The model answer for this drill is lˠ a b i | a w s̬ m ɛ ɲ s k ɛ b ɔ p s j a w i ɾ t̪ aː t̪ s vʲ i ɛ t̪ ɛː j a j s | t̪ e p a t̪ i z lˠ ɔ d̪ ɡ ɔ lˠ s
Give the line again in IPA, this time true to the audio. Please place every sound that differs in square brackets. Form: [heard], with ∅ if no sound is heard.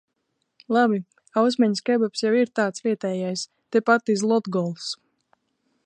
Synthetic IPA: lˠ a b i | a w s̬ m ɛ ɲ s k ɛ b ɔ p s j a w i ɾ t̪ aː t̪ s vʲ i ɛ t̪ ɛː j a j s | t̪ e p a t̪ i z lˠ ɔ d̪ ɡ ɔ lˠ s